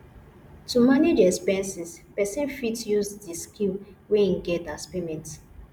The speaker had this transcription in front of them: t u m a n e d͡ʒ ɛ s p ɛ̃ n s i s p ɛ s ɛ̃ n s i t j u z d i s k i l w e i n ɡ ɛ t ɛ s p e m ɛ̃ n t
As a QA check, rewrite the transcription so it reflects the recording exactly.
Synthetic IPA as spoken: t u m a n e d͡ʒ ɛ s p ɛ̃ n s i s p ɛ s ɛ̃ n f i t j u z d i s k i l w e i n ɡ ɛ t a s p e m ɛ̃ n t